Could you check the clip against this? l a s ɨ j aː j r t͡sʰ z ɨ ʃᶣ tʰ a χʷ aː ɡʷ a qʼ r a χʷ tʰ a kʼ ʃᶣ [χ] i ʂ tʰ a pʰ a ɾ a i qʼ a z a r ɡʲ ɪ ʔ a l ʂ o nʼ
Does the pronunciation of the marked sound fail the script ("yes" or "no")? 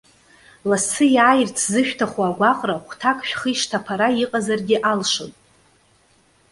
no